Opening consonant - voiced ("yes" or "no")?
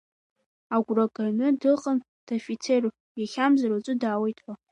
yes